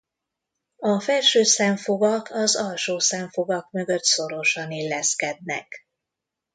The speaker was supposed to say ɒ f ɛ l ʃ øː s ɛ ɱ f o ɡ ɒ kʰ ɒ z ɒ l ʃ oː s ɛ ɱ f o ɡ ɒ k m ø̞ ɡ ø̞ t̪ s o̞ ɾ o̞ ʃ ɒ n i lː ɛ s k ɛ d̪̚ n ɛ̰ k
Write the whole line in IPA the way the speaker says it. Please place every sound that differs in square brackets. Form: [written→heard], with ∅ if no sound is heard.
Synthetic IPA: ɒ f ɛ l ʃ øː s ɛ ɱ f o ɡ ɒ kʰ ɒ z ɒ l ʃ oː s ɛ ɱ f o ɡ ɒ k m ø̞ ɡ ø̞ t̪ s o̞ ɾ o̞ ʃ ɒ n i lː ɛ s k ɛ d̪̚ n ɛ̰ k